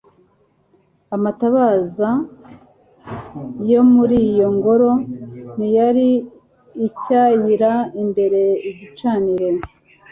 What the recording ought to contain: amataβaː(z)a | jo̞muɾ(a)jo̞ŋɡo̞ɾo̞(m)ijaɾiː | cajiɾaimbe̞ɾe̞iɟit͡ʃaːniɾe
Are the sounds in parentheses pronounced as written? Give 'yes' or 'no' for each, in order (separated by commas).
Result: yes, no, no